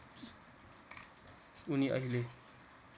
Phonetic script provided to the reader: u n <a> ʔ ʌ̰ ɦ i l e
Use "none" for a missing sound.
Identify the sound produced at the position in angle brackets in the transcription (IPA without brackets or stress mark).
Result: i